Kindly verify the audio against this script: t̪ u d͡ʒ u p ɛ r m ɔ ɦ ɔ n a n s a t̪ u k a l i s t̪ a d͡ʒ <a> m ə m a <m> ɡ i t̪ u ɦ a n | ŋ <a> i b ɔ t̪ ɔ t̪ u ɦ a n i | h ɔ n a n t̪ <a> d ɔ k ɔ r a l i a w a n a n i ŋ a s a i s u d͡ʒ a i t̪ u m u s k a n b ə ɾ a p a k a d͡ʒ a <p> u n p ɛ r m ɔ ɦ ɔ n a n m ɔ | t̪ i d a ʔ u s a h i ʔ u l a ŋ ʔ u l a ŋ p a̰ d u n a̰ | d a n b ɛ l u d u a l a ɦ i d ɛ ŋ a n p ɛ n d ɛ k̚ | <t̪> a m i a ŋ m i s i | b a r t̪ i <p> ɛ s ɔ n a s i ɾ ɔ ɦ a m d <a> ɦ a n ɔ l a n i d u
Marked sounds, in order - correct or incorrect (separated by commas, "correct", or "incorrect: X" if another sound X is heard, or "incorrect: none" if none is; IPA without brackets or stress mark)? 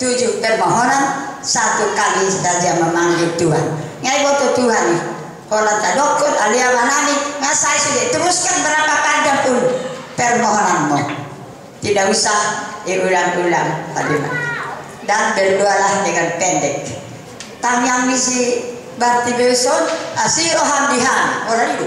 correct, incorrect: ŋ, correct, correct, correct, correct, incorrect: b, incorrect: i